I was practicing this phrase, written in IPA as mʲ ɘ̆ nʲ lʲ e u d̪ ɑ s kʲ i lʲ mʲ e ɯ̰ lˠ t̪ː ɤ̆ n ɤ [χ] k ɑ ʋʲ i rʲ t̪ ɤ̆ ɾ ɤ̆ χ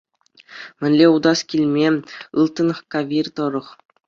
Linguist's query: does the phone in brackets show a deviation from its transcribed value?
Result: no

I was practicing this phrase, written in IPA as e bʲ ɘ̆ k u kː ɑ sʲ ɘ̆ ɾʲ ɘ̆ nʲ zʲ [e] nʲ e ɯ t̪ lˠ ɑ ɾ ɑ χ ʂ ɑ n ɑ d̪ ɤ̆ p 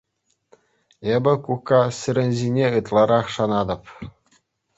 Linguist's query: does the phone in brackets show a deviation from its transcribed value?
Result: yes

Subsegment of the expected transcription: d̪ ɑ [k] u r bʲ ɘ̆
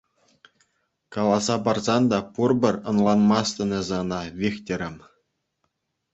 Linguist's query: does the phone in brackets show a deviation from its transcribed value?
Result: yes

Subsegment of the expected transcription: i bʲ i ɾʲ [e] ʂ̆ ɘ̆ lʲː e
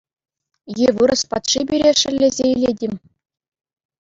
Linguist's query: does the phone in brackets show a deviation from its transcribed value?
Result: no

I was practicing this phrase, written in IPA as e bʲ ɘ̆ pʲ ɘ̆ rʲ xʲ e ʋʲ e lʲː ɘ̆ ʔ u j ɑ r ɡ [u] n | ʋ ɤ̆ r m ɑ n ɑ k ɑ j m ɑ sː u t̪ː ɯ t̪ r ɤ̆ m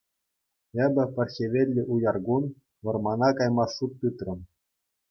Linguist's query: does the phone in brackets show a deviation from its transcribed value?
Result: no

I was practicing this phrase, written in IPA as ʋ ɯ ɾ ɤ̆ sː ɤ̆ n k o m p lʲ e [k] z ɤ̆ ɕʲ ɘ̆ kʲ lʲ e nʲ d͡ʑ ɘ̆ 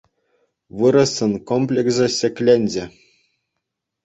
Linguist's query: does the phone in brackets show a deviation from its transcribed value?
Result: no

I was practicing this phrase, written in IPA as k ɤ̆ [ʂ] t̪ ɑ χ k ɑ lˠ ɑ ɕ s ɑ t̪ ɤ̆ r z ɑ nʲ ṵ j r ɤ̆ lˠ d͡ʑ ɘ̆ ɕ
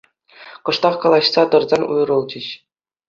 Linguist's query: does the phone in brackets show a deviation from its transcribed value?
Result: no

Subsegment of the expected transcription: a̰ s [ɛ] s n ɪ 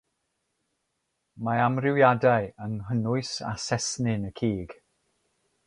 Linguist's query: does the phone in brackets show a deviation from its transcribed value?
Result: no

